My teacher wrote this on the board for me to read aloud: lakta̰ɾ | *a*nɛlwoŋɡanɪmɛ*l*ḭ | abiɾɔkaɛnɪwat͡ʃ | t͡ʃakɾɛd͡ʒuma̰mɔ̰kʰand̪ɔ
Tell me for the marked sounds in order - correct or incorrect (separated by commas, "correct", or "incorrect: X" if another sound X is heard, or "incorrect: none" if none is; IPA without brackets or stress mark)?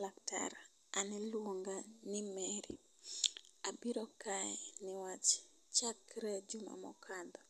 correct, incorrect: ɾ